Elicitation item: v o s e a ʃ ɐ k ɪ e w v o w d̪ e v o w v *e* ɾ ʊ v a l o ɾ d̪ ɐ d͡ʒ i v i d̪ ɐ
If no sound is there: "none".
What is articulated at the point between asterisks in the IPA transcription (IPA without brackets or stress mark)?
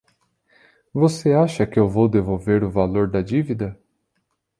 e